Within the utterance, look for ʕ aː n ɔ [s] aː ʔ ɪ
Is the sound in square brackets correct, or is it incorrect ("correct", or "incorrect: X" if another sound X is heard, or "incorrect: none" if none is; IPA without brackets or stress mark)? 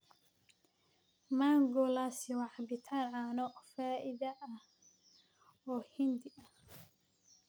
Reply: incorrect: f